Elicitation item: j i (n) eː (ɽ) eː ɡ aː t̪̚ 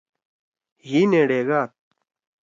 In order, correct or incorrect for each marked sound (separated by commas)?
correct, correct